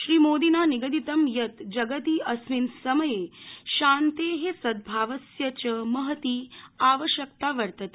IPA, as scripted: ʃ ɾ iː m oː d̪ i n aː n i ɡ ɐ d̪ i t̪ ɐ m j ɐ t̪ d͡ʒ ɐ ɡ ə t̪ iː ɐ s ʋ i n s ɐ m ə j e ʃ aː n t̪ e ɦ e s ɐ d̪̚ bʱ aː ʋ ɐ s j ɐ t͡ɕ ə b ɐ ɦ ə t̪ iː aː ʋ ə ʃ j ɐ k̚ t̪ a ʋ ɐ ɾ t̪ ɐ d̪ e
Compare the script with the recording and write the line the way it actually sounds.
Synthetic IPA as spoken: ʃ ɾ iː m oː d̪ i n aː n i ɡ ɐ d̪ i t̪ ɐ m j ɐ t̪ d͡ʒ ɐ ɡ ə t̪ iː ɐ s ʋ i n s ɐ m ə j e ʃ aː n t̪ e ɦ e s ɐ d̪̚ bʱ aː ʋ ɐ s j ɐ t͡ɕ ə m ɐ ɦ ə t̪ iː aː ʋ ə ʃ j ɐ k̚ t̪ a ʋ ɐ ɾ t̪ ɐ t̪ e

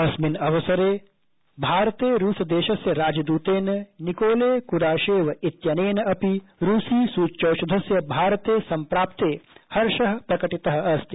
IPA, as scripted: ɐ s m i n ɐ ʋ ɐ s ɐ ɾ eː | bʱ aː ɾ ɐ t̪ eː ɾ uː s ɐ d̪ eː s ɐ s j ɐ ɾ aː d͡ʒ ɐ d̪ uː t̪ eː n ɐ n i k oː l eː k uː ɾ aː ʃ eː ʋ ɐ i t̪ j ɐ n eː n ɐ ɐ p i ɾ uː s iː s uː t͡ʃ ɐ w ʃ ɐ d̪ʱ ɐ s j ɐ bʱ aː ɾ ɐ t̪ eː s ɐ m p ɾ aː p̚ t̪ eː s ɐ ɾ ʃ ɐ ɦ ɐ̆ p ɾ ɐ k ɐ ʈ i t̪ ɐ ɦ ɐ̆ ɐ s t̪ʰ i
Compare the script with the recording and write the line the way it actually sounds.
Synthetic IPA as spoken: ɐ s m i n ɐ ʋ ɐ s ɐ ɾ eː | bʱ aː ɾ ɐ t̪ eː ɾ uː s ɐ d̪ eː ʃ ɐ s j ɐ ɾ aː d͡ʒ ɐ d̪ uː t̪ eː n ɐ n i k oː l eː k u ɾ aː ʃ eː ʋ ɐ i t̪ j ɐ n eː n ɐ ɐ p i ɾ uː s iː s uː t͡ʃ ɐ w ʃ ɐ d̪ʱ ɐ s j ɐ bʱ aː ɾ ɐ t̪ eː s ɐ m p ɾ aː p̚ t̪ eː h ɐ ɾ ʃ ɐ ɦ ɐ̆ p ɾ ɐ k ɐ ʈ i t̪ ɐ ɦ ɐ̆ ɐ s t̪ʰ i

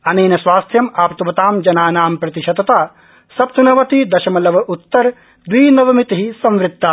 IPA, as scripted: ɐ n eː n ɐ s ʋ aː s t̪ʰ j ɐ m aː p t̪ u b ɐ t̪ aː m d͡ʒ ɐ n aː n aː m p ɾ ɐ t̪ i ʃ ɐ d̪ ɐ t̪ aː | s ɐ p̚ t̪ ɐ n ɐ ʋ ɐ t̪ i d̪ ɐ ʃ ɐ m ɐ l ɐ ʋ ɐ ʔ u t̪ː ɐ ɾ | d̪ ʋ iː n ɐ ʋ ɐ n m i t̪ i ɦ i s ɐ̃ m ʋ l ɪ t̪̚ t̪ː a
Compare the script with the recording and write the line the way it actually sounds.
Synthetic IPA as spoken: ɐ n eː n ɐ s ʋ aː s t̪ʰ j ɐ m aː p t̪ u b ɐ t̪ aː m d͡ʒ ɐ n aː n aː m p ɾ ɐ t̪ i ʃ ɐ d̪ ɐ t̪ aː | s ɐ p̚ t̪ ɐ n ɐ ʋ ɐ t̪ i d̪ ɐ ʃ ɐ m ɐ l ɐ ʋ ɐ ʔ u t̪ː ɐ ɾ | d̪ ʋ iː n ɐ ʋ ɐ m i t̪ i ɦ i s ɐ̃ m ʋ ɾ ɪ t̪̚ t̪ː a

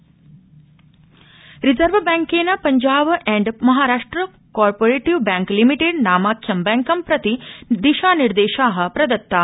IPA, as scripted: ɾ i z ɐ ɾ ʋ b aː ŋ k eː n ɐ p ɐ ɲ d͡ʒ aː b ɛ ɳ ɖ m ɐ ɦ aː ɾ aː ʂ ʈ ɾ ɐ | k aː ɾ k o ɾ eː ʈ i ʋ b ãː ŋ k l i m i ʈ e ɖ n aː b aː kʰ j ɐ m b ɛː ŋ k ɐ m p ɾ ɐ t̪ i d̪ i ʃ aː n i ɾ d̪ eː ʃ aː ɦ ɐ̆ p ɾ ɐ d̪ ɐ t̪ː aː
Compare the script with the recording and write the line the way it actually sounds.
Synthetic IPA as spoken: ɾ i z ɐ ɾ ʋ b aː ŋ k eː n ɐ p ɐ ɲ d͡ʒ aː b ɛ ɳ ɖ m ɐ ɦ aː ɾ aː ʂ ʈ ɾ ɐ | k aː ɾ p o ɾ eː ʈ i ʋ b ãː ŋ k l i m i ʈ e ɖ n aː m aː kʰ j ɐ m b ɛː ŋ k ɐ m p ɾ ɐ t̪ i d̪ i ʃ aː n i ɾ d̪ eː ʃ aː ɦ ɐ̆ p ɾ ɐ d̪ ɐ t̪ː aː

